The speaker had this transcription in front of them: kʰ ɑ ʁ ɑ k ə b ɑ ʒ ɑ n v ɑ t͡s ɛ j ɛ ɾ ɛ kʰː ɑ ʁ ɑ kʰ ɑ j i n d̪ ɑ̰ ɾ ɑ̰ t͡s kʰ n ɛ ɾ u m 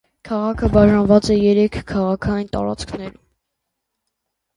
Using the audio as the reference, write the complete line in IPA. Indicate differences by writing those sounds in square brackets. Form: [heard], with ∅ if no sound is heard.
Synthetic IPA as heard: kʰ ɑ ʁ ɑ [kʰ] ə b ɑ ʒ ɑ n v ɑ t͡s ɛ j ɛ ɾ ɛ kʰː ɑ ʁ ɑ kʰ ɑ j i n [t̪] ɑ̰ ɾ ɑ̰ t͡s kʰ n ɛ ɾ u m